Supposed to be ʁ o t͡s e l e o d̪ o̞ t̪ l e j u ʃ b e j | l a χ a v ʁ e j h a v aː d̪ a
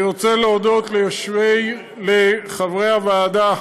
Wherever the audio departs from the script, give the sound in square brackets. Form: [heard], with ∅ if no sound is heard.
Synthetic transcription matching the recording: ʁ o t͡s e l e o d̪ o̞ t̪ l e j [o] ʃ [v] e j | l [e] χ a v ʁ e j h a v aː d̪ a